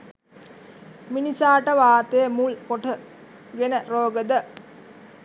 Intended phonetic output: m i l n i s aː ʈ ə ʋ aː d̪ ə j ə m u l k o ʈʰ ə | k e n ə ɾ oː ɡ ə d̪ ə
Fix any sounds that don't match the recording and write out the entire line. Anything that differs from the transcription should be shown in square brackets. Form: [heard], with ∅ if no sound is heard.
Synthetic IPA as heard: m i [∅] n i s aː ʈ ə ʋ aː [t̪] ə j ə m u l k o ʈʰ ə | [ɡ] e n ə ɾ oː ɡ ə d̪ ə